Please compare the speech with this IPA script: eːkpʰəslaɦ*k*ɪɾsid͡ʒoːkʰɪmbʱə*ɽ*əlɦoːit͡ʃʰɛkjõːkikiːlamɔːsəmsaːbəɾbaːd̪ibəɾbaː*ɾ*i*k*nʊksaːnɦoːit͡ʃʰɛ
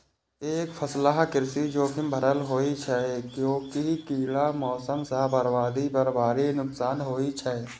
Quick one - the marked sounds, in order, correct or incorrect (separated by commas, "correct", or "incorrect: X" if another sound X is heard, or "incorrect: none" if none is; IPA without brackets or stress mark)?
correct, incorrect: ɾ, correct, incorrect: none